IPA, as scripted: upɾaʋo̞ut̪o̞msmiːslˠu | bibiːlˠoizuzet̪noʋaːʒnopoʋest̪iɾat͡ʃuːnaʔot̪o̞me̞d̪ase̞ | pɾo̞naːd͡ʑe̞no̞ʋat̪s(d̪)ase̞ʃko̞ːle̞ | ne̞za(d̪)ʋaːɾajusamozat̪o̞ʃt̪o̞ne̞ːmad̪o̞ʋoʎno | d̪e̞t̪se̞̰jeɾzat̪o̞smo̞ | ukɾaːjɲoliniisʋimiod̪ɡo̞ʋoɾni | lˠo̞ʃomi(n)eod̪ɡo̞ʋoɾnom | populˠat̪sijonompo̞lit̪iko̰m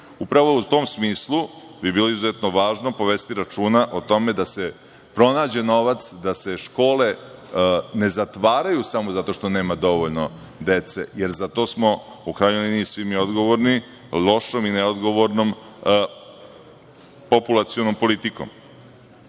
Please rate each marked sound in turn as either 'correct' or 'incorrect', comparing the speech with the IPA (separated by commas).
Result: correct, incorrect, correct